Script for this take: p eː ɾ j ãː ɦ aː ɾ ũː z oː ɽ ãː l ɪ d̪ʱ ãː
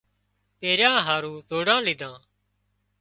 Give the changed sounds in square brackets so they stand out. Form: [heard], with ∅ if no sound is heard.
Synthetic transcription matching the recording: p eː ɾ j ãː ɦ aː ɾ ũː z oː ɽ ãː l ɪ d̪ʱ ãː